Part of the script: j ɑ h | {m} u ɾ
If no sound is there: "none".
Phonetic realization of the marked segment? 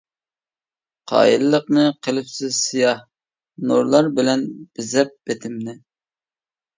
n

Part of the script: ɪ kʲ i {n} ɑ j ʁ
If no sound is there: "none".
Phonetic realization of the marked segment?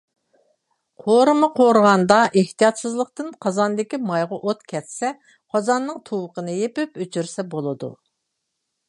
m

